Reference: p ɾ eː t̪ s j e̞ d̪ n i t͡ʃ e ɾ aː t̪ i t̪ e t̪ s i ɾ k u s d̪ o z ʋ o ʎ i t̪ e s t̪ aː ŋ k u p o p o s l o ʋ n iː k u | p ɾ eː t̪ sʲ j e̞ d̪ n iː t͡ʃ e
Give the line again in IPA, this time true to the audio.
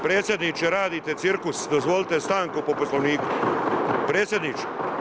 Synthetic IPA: p ɾ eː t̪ s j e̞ d̪ n i t͡ʃ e ɾ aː d̪ i t̪ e t̪ s i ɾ k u s d̪ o z ʋ o l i t̪ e s t̪ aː ŋ k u p o p o s l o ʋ n iː k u | p ɾ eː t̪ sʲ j e̞ d̪ n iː t͡ʃ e